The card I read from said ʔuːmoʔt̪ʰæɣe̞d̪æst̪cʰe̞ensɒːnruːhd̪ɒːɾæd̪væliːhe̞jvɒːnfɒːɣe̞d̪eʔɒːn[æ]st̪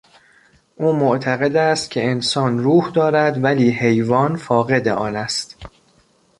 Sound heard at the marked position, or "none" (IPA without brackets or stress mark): æ